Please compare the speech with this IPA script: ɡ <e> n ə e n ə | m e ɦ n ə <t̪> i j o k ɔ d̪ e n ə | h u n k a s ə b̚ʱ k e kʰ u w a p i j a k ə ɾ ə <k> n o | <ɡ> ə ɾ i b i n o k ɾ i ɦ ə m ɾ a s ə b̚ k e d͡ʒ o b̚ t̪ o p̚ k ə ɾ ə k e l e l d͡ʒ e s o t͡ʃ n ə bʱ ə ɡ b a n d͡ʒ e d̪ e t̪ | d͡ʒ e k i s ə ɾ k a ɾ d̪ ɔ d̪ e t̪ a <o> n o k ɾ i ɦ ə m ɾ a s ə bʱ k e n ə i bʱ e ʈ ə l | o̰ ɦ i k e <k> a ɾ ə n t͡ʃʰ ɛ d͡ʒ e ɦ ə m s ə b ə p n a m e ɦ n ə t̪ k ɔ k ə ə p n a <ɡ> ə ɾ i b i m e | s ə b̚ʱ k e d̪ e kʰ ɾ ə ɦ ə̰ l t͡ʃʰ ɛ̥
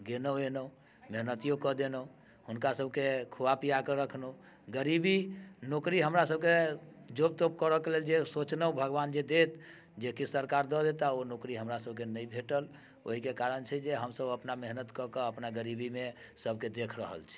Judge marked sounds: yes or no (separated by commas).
yes, yes, no, yes, yes, yes, yes